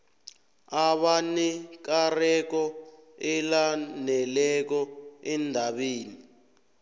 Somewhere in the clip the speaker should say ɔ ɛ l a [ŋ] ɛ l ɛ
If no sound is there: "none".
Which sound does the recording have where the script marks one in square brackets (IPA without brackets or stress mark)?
n